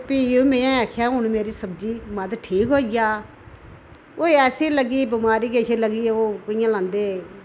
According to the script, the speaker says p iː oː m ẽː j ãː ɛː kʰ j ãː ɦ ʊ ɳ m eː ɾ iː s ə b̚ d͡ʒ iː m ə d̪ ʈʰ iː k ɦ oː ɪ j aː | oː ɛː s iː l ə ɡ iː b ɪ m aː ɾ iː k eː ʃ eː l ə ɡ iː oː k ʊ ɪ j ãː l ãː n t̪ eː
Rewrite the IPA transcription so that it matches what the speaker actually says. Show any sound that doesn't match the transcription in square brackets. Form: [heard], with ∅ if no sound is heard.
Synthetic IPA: p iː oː m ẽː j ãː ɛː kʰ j [aː] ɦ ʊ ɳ m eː ɾ iː s ə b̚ d͡ʒ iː m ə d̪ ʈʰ iː k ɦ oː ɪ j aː | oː ɛː s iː l ə ɡ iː b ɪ m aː ɾ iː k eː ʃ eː l ə ɡ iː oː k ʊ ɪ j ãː l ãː n [d̪] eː